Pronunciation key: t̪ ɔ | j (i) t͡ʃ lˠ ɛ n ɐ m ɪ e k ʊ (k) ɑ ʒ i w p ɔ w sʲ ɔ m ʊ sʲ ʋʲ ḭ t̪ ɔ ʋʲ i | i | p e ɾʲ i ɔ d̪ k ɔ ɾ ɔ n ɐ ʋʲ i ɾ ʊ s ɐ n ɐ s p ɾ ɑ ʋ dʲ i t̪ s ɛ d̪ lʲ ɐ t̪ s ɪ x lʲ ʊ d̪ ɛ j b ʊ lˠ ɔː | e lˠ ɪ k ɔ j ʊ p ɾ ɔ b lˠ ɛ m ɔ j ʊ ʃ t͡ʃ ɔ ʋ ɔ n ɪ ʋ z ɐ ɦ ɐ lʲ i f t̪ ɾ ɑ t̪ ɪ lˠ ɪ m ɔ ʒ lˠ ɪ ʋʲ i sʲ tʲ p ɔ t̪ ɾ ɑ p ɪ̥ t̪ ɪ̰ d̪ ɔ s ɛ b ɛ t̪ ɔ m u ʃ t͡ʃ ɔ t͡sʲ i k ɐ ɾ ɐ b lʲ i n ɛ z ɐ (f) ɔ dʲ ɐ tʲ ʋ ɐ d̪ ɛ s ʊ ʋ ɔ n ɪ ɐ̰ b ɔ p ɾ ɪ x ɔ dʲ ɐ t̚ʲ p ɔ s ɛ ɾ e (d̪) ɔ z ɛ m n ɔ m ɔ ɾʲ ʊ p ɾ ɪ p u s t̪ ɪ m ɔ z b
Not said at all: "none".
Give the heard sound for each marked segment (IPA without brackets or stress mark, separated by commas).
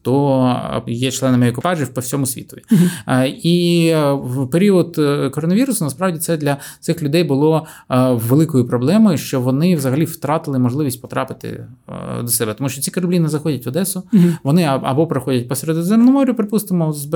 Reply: ɛ, p, x, d̪